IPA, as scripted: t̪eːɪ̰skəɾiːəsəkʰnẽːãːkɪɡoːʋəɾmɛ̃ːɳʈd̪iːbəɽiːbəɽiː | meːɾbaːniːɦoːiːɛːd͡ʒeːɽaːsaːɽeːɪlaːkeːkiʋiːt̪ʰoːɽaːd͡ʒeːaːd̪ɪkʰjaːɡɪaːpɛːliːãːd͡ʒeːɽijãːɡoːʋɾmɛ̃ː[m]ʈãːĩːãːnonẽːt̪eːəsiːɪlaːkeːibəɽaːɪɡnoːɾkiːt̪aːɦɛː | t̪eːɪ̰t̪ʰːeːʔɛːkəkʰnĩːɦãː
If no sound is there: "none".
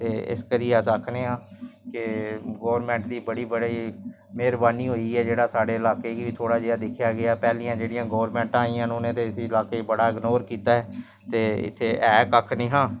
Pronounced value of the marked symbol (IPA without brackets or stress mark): ɳ